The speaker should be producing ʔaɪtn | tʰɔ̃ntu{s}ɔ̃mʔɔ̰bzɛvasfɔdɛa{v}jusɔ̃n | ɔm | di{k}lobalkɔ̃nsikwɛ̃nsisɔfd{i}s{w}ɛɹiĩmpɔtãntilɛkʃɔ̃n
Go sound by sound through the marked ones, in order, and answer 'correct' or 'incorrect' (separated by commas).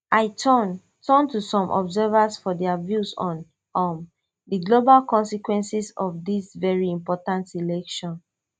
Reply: correct, correct, incorrect, correct, incorrect